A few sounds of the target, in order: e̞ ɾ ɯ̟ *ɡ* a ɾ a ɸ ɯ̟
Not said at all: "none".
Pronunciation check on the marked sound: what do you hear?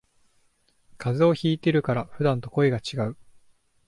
k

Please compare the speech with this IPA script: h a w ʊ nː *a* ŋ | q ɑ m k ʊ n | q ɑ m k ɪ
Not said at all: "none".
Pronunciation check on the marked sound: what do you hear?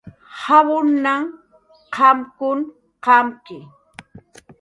a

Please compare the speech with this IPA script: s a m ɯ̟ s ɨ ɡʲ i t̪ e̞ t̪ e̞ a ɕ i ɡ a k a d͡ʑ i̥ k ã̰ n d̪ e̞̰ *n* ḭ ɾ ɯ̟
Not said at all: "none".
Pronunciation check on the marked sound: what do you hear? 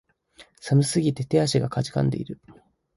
none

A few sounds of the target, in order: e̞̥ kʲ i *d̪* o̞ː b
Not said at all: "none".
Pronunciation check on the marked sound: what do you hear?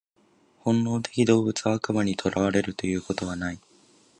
d̪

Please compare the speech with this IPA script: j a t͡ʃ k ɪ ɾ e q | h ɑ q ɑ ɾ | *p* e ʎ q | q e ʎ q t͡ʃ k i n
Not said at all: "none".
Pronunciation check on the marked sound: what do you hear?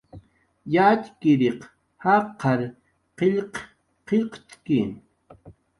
q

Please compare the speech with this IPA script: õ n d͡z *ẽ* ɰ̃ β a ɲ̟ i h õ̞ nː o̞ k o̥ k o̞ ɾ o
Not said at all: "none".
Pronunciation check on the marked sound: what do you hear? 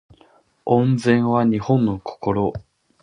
ẽ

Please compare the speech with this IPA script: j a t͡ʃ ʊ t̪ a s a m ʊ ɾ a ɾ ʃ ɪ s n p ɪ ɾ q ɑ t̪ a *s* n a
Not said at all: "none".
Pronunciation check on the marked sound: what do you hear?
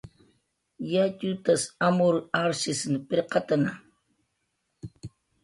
none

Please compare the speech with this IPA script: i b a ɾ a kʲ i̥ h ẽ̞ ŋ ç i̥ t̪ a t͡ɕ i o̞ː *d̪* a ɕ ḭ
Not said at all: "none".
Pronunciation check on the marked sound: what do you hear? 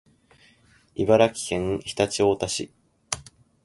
t̪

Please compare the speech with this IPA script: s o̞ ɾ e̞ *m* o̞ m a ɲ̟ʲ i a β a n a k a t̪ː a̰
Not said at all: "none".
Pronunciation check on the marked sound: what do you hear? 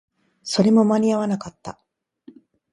m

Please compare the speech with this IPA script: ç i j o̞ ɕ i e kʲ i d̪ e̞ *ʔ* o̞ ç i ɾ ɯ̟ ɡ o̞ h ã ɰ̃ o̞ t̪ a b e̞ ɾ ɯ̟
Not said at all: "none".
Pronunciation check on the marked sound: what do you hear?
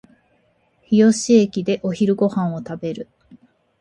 ʔ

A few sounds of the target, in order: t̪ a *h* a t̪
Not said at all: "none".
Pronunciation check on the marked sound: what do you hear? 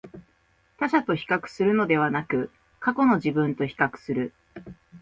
ɕ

